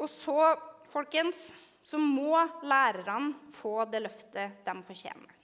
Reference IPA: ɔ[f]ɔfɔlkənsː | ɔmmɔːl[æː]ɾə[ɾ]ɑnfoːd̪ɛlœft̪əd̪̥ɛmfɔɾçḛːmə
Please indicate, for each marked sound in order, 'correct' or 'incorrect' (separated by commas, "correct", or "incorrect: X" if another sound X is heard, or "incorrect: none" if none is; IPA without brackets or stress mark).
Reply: incorrect: s, correct, correct